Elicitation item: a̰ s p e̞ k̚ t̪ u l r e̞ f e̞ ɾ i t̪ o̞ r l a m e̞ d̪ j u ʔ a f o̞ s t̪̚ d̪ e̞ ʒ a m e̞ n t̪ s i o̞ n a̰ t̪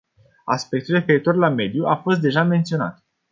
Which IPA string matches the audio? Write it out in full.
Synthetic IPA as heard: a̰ s p e̞ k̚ t̪ u l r e̞ f e̞ ɾ i t̪ o̞ r l a m e̞ d̪ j u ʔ a f o̞ s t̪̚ d̪ e̞ ʒ a m e̞ n t̪ s i o̞ n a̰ t̪